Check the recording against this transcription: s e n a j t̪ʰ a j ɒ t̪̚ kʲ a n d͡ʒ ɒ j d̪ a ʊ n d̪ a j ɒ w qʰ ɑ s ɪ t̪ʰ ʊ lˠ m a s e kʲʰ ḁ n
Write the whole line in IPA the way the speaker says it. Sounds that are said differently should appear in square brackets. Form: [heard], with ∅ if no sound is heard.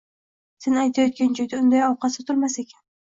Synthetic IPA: s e n a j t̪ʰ a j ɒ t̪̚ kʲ a n d͡ʒ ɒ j d̪ a ʊ n d̪ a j ɒ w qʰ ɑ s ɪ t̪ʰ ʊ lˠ m a s e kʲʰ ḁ n